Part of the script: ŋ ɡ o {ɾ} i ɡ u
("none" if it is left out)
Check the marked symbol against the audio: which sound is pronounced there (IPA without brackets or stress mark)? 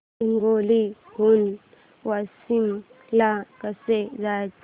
l